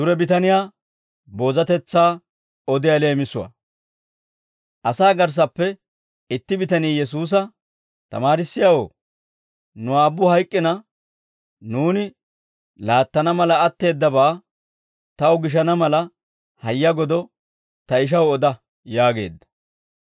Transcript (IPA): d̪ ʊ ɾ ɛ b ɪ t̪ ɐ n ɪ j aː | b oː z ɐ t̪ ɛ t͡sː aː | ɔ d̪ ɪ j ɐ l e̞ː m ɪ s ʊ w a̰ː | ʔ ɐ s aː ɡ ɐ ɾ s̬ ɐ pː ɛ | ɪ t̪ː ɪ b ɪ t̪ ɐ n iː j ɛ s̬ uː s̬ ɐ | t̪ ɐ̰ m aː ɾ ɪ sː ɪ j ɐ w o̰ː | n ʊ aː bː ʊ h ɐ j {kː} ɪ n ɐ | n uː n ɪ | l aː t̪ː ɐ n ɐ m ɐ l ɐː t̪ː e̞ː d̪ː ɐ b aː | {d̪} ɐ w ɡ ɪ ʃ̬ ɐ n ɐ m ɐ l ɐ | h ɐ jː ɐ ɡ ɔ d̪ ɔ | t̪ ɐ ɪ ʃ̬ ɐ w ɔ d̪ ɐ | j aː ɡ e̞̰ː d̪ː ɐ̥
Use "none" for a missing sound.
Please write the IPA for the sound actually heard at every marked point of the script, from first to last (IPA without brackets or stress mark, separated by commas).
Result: kʼː, t̪